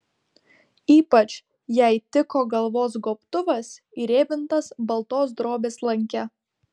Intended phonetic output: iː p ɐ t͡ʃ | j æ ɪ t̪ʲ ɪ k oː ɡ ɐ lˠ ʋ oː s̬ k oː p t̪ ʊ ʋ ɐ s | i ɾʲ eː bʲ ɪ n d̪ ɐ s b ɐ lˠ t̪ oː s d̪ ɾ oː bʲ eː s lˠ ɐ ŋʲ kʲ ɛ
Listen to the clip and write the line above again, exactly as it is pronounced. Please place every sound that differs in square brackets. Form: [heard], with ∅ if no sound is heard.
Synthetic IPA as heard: iː p ɐ t͡ʃ | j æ ɪ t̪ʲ ɪ k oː ɡ ɐ lˠ ʋ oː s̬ [ɡ] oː p t̪ ʊ ʋ ɐ s | i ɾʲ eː bʲ ɪ n [t̪] ɐ s b ɐ lˠ t̪ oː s d̪ ɾ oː bʲ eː s lˠ ɐ ŋʲ kʲ ɛ